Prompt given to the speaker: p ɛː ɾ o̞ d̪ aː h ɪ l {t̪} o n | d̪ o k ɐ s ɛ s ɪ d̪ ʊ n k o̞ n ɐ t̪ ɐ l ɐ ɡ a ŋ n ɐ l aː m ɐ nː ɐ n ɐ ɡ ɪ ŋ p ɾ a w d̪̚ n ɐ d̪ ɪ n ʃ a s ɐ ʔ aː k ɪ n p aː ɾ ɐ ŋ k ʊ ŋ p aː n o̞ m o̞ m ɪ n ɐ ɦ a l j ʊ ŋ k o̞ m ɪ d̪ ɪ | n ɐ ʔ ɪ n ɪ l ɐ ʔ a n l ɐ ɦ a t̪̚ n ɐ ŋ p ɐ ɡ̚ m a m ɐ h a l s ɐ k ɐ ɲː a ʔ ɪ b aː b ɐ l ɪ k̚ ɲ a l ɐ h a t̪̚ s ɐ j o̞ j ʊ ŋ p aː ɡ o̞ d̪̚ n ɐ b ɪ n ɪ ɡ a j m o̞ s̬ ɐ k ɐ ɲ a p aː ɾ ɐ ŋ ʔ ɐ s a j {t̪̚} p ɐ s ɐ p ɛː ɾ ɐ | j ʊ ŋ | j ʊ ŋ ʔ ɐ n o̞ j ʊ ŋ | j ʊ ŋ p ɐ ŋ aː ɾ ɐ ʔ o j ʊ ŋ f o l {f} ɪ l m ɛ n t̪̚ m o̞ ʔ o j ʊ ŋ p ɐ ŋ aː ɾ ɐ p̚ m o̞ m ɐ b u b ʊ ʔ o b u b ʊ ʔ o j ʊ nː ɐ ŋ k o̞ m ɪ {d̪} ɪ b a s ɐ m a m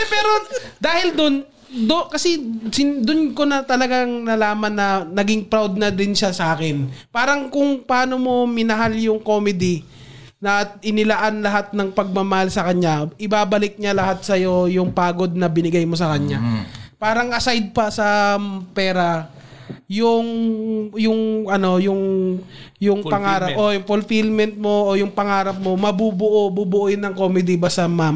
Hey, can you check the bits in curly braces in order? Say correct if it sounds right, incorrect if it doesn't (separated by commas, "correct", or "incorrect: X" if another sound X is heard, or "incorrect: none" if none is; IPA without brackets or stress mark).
incorrect: d̪, incorrect: d̪̚, correct, correct